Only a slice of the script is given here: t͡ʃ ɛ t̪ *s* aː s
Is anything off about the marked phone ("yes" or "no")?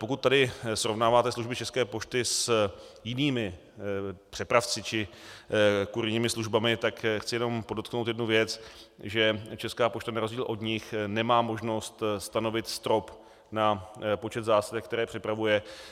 yes